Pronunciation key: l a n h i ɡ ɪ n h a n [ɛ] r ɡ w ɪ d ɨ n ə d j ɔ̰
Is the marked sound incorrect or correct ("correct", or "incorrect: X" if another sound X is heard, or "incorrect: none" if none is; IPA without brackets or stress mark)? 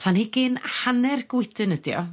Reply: correct